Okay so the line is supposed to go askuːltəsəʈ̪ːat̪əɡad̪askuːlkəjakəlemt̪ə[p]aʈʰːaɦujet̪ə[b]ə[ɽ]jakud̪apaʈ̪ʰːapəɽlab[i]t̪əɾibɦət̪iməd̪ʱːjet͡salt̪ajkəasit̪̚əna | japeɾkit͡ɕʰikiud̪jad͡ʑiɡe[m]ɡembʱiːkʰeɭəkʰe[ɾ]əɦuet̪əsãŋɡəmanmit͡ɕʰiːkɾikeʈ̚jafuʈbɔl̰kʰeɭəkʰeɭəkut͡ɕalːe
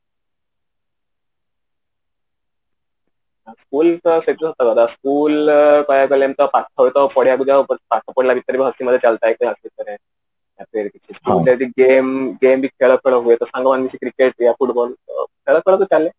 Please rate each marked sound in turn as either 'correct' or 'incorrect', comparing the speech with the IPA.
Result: correct, incorrect: p, correct, correct, correct, incorrect: ɭ

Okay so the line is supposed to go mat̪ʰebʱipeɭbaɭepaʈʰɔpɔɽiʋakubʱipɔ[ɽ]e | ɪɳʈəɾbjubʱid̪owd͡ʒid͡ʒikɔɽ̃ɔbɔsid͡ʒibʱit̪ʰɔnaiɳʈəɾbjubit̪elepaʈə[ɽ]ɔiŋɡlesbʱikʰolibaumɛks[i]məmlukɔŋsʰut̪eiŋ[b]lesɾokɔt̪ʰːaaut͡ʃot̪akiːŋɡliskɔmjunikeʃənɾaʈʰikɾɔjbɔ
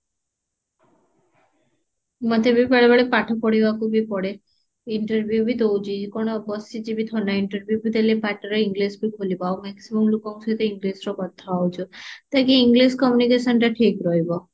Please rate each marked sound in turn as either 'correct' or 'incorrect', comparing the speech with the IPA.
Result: correct, incorrect: ɾ, correct, incorrect: ɡ

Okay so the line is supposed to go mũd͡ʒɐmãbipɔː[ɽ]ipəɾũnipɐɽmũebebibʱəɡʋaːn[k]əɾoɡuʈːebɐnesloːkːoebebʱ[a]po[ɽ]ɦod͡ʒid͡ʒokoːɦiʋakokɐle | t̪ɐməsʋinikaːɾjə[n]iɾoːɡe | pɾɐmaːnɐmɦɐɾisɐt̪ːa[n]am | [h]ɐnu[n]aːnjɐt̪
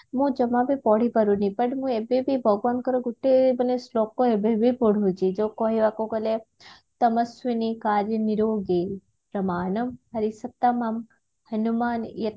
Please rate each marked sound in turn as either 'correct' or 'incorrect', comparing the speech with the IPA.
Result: correct, correct, incorrect: i, correct, correct, incorrect: m, correct, incorrect: m

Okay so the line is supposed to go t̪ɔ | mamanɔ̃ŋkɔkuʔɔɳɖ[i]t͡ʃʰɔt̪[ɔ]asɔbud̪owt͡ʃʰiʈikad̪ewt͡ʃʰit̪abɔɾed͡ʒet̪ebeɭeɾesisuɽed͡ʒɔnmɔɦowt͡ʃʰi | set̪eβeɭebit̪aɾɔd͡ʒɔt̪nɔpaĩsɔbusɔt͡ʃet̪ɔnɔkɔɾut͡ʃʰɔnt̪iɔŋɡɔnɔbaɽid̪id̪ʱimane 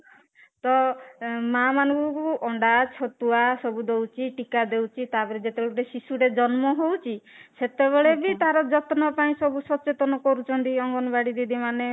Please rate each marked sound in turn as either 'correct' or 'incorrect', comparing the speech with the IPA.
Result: incorrect: a, incorrect: u

